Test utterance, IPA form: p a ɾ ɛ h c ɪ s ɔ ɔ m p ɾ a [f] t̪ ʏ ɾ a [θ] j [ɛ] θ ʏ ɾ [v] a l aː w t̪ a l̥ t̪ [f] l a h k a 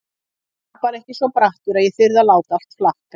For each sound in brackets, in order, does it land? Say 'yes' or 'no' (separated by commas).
no, no, yes, no, yes